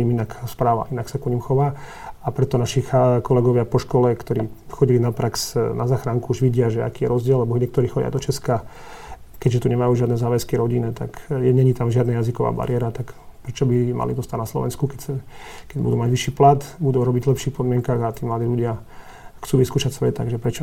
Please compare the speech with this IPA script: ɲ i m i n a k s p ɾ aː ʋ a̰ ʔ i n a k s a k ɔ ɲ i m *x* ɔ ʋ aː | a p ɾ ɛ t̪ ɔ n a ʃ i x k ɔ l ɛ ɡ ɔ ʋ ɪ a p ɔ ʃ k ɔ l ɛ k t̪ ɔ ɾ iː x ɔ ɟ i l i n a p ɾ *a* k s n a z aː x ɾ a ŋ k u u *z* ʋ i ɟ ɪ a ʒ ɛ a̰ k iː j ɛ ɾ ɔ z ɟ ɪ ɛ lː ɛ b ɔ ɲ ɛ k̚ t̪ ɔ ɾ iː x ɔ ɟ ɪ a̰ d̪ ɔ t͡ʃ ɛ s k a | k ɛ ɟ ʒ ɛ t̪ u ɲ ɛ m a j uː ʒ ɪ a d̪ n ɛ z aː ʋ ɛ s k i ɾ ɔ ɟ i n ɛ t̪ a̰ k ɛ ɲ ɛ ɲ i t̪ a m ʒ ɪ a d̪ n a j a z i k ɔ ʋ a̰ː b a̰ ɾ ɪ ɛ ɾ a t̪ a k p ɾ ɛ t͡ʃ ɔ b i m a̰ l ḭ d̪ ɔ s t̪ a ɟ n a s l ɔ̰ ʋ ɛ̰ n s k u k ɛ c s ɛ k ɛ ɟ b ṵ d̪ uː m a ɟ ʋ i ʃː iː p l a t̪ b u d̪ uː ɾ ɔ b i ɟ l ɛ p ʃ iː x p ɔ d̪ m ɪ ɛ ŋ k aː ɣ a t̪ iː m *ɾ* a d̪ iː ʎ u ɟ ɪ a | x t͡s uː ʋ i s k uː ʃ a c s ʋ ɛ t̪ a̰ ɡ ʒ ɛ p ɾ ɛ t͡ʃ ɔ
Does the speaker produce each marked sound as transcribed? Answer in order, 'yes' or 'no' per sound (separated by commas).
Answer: yes, yes, no, no